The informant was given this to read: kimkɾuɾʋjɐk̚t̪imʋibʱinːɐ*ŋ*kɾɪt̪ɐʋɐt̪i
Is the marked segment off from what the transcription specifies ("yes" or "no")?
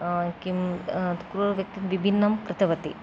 yes